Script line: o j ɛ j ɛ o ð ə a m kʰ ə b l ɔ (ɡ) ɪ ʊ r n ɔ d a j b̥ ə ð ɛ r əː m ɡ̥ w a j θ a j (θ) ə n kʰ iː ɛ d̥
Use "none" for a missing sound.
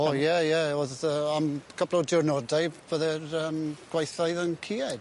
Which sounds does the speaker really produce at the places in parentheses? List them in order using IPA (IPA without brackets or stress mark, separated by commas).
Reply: d, ð